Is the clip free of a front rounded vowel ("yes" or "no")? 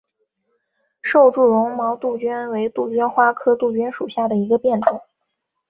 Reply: yes